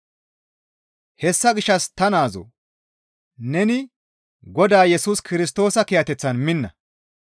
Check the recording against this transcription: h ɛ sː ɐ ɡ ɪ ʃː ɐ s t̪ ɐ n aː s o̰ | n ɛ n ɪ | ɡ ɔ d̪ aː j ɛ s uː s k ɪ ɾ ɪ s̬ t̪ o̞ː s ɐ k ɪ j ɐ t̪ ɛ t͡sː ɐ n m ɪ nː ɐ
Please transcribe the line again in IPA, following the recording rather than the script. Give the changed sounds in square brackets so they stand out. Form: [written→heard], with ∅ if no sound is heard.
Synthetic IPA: h ɛ sː ɐ ɡ ɪ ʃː ɐ s t̪ ɐ n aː [s→z] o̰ | n ɛ n ɪ | ɡ ɔ d̪ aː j ɛ s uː s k ɪ ɾ ɪ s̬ t̪ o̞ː s ɐ k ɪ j ɐ t̪ ɛ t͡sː ɐ n m ɪ nː ɐ